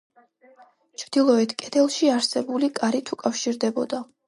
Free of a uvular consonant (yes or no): yes